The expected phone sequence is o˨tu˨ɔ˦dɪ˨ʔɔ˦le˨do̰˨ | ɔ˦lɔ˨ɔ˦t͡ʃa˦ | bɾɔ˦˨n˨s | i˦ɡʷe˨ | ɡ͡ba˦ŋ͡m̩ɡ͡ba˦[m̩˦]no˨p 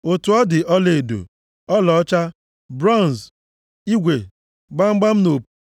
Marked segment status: correct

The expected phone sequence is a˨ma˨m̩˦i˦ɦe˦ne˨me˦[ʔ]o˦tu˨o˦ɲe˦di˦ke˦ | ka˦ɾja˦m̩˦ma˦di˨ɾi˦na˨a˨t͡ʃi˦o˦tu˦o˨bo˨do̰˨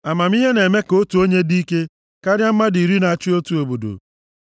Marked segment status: incorrect: k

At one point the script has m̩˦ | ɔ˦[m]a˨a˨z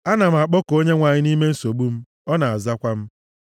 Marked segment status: incorrect: n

